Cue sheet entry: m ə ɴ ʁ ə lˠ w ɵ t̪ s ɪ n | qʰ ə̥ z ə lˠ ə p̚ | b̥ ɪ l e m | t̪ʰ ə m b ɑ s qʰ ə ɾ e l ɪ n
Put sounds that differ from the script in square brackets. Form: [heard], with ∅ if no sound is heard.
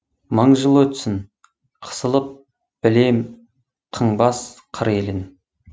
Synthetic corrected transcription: m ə ɴ [ʒ] ə lˠ w ɵ t̪ s ɪ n | qʰ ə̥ [s] ə lˠ ə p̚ | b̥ ɪ l e m | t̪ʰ ə [ɴ] b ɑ s qʰ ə ɾ e l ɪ n